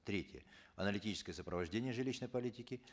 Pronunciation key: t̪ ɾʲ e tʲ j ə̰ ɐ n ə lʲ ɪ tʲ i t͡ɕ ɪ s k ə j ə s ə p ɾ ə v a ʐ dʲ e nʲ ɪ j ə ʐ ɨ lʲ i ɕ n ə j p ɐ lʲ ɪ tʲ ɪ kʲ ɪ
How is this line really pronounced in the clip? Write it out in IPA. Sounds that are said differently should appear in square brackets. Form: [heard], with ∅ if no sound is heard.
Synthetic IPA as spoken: t̪ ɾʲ e tʲ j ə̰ ɐ n ə lʲ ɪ tʲ i t͡ɕ ɪ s k ə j ə s ə p ɾ ə v [ɐ] ʐ dʲ e nʲ ɪ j ə ʐ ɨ lʲ i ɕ n ə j p ɐ lʲ [i] tʲ ɪ kʲ ɪ